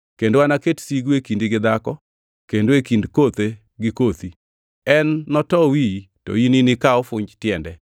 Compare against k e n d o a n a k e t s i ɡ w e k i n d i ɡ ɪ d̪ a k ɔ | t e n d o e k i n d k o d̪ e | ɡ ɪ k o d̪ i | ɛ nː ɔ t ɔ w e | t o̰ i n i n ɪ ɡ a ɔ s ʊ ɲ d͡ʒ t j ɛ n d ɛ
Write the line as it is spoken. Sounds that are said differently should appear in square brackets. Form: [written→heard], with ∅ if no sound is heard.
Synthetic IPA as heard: k e n d o a n a k e t s i ɡ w e k i n d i ɡ ɪ d̪ a k ɔ | [t→k] e n d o e k i n d k o [d̪→t̪] e | ɡ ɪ k o [d̪→t̪] i | ɛ nː ɔ t ɔ w [e→i] | t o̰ i n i n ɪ [ɡ→k] a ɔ [s→f] ʊ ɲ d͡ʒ t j ɛ n d ɛ

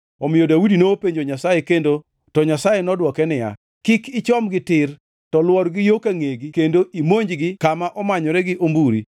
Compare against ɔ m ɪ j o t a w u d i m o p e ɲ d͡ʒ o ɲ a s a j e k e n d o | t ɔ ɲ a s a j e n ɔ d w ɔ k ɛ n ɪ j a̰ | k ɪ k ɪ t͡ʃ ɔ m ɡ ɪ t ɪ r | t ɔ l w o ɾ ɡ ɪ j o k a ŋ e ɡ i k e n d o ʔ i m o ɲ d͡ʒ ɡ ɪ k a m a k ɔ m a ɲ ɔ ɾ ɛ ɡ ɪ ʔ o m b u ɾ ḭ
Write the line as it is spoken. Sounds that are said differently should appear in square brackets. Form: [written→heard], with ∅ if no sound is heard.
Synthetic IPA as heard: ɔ m ɪ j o [t→d] a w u d i [m→n] o p e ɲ d͡ʒ o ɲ a s a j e k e n d o | t ɔ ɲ a s a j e n ɔ d w ɔ k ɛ n ɪ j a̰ | k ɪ k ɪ t͡ʃ ɔ m ɡ ɪ t ɪ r | t ɔ l w [o→ɔ] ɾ ɡ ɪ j o k a ŋ e ɡ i k e n d o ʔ i m o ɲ d͡ʒ ɡ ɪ k a m a [k→ʔ] ɔ m a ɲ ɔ ɾ ɛ ɡ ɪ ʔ o m b u ɾ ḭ

